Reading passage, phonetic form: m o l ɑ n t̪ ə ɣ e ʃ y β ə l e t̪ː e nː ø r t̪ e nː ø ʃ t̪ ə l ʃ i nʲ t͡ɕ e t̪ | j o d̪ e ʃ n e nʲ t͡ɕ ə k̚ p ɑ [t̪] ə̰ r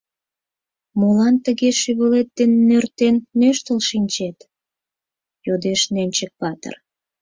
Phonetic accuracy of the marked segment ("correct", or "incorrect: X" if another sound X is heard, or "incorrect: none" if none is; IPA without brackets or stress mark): correct